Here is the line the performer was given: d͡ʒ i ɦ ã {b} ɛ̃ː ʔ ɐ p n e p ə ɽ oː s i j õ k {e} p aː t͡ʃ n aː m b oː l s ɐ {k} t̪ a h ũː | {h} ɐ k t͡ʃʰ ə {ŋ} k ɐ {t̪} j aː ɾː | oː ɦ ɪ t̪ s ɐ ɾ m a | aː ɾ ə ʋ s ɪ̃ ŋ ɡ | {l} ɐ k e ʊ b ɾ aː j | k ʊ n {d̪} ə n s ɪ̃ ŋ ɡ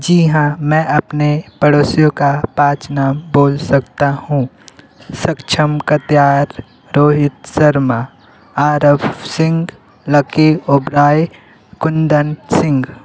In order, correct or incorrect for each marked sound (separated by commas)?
incorrect, incorrect, correct, incorrect, incorrect, correct, correct, correct